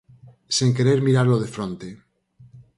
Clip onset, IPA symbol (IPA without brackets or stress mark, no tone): s